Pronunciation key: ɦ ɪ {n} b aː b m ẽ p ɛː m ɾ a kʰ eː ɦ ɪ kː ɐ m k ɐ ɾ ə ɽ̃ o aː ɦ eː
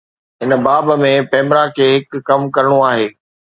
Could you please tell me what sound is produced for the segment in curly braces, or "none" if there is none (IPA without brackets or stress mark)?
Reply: n